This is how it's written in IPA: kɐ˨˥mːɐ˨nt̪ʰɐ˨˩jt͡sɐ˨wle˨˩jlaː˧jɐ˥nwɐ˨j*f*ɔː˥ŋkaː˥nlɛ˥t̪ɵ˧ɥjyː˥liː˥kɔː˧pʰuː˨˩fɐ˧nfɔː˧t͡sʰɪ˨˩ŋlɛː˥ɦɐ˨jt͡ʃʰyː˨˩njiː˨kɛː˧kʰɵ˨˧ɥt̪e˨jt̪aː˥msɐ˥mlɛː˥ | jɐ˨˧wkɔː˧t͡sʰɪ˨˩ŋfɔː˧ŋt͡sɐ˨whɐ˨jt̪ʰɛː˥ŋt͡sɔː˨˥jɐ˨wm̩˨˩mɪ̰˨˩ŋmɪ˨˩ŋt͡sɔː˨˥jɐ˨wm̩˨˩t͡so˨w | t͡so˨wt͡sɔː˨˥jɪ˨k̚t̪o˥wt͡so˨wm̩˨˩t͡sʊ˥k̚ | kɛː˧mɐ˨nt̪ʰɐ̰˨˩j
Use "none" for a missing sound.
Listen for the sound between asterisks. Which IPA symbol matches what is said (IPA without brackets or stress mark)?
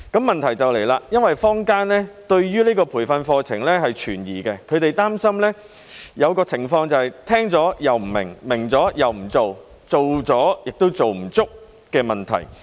f